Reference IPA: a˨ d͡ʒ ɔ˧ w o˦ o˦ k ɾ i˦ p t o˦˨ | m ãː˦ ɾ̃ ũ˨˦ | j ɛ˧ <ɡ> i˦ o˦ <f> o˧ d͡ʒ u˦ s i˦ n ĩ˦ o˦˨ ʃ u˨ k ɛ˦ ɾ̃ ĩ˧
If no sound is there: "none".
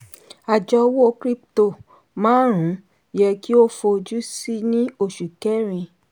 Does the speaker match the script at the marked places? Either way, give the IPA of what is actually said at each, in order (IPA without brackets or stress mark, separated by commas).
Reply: k, f